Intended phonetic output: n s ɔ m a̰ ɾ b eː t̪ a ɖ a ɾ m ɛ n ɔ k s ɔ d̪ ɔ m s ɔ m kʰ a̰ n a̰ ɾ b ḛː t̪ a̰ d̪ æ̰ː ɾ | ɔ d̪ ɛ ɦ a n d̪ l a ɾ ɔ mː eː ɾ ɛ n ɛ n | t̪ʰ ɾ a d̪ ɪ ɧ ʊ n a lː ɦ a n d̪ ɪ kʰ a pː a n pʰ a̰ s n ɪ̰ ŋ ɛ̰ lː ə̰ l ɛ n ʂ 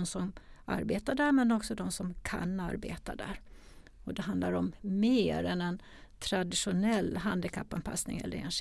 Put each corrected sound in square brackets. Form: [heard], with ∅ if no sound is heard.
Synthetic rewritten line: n s ɔ m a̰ ɾ b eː t̪ a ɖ [æ] ɾ m ɛ n ɔ k s ɔ d̪ ɔ m s ɔ m kʰ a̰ n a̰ ɾ b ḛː t̪ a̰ d̪ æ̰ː ɾ | ɔ d̪ ɛ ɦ a n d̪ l a ɾ ɔ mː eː ɾ ɛ n ɛ n | t̪ʰ ɾ a d̪ ɪ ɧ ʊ n [ɛ] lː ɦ a n d̪ ɪ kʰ a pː a n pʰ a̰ s n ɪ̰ ŋ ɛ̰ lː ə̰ [ɾ] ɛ n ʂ